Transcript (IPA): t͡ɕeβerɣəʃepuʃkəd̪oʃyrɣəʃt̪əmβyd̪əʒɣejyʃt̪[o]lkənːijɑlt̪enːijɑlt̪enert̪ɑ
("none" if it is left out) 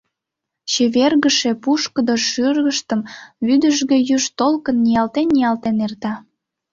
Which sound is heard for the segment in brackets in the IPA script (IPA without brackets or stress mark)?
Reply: o